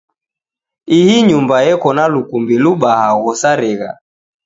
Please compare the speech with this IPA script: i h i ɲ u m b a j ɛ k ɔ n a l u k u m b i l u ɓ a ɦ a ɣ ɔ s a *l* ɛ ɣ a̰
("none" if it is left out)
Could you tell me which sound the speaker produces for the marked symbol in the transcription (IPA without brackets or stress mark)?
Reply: ɾ